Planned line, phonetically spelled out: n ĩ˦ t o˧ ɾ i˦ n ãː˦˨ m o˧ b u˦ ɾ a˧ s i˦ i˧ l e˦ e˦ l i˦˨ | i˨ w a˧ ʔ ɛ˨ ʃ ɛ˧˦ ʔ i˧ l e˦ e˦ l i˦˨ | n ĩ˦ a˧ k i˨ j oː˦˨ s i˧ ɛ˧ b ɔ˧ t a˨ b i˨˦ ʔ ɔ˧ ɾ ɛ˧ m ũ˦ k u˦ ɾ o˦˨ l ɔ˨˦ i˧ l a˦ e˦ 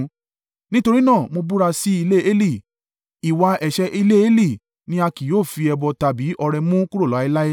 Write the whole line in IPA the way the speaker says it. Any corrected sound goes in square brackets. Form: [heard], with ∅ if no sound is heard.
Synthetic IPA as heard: n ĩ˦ t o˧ ɾ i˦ n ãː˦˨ m o˧ b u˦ ɾ a˧ s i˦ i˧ l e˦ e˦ l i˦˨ | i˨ w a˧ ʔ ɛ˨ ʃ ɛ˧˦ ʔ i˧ l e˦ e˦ l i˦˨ | n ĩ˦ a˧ k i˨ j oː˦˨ [f] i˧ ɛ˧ b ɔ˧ t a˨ b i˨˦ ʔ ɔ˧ ɾ ɛ˧ m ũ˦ k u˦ ɾ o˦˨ l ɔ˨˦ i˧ l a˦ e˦